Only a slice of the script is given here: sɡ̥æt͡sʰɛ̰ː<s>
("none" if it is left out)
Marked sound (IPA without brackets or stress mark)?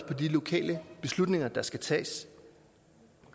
s